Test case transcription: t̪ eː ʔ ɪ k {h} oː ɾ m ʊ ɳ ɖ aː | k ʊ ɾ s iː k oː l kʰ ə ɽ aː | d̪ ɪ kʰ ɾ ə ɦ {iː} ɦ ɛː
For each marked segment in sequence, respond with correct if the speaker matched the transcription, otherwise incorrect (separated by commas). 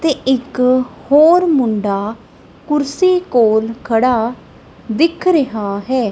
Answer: correct, incorrect